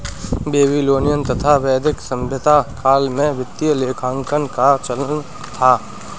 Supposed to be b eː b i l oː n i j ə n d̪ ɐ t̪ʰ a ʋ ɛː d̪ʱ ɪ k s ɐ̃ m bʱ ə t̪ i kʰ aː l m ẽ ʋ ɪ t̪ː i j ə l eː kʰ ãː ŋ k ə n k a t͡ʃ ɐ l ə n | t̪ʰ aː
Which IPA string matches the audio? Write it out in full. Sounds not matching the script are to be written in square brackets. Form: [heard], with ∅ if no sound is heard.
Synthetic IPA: b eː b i l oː n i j ə n [t̪] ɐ t̪ʰ a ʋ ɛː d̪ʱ ɪ k s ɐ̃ m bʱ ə t̪ [a] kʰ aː l m ẽ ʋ ɪ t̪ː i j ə l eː kʰ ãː ŋ k ə n k a t͡ʃ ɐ l ə n | t̪ʰ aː